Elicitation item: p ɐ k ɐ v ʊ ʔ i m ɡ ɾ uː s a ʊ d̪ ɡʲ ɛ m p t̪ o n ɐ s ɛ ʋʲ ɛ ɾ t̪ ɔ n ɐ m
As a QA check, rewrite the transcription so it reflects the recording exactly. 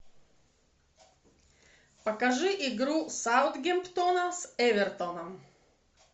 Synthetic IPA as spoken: p ɐ k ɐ ʒ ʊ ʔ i ɡ ɾ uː s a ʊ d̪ ɡʲ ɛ m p t̪ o n ɐ s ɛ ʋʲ ɛ ɾ t̪ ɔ n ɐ m